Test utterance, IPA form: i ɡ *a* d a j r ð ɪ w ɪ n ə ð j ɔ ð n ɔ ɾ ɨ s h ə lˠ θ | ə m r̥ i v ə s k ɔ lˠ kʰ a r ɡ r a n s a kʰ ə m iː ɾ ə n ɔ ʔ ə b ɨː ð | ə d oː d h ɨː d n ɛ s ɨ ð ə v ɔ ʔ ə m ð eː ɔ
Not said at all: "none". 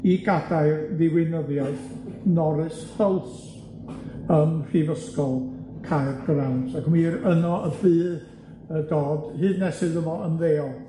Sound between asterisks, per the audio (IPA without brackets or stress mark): a